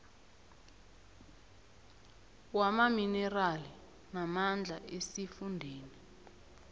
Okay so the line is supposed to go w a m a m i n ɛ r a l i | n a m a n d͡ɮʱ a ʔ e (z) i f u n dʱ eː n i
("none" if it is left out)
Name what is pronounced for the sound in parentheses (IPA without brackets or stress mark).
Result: s